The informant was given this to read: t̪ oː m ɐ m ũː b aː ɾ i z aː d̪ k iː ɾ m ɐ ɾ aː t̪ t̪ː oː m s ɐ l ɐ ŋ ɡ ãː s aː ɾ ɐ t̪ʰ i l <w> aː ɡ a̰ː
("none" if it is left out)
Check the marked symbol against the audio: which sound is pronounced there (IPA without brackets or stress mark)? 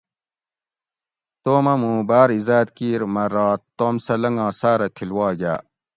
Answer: w